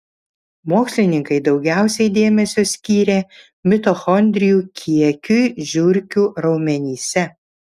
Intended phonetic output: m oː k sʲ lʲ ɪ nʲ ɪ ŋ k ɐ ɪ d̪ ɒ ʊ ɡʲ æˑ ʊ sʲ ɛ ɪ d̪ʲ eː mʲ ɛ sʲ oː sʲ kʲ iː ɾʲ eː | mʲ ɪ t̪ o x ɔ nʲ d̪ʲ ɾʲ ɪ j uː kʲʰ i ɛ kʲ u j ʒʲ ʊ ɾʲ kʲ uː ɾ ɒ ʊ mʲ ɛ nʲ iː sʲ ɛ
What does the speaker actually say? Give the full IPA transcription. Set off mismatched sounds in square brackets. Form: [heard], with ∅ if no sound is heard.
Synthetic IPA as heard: m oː k sʲ lʲ ɪ nʲ ɪ ŋ k ɐ ɪ d̪ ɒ ʊ ɡʲ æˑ ʊ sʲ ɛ ɪ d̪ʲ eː mʲ ɛ sʲ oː sʲ kʲ iː ɾʲ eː | mʲ ɪ t̪ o x ɔ nʲ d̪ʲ ɾʲ ɪ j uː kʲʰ i ɛ kʲ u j ʒʲ ʊ ɾʲ kʲ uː ɾ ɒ ʊ mʲ ɛ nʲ iː sʲ ɛ